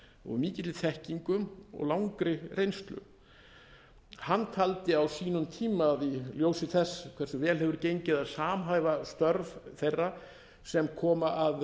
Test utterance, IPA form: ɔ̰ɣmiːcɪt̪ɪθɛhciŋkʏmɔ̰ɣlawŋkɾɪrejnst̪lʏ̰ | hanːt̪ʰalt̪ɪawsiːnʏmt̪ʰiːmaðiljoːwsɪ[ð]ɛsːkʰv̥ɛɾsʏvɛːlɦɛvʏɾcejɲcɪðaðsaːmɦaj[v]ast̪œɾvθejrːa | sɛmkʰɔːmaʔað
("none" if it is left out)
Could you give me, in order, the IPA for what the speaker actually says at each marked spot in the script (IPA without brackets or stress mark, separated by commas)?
θ, v